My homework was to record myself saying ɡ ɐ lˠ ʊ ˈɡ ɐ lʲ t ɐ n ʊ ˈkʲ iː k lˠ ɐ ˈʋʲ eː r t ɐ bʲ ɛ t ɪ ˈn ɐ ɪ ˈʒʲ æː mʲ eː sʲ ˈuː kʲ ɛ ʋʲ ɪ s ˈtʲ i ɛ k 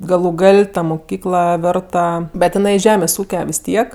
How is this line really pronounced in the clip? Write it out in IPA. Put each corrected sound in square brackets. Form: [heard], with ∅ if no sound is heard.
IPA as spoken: ɡ ɐ lˠ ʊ ˈɡ ɐ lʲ t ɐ [m] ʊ ˈkʲ iː k lˠ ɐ ˈʋʲ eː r t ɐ bʲ ɛ t ɪ ˈn ɐ ɪ ˈʒʲ æː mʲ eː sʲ ˈuː kʲ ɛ ʋʲ ɪ s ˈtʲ i ɛ k